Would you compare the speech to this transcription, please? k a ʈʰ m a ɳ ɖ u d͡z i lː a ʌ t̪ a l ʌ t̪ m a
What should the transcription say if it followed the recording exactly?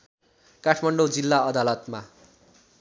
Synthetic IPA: k a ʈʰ m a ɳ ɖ o d͡z i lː a ʌ d̪ a l ʌ t̪ m a